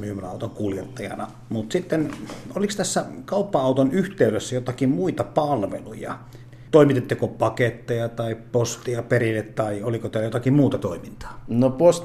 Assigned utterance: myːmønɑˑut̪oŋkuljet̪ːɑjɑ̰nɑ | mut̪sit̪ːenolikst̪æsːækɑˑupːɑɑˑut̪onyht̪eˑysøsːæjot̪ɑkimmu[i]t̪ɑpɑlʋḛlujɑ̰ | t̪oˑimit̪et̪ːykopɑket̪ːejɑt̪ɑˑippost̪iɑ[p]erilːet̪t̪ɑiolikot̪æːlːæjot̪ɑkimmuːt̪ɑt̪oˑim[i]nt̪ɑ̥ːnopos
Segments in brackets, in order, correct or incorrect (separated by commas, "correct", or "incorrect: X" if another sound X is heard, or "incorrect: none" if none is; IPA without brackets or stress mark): correct, correct, correct